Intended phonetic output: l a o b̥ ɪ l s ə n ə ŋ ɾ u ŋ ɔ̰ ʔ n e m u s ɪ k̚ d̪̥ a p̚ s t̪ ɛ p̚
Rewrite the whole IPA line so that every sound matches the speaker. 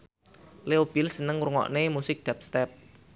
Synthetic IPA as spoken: l e o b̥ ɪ l s ə n ə ŋ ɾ u ŋ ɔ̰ ʔ n e m u s ɪ k̚ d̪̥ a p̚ s t̪ ɛ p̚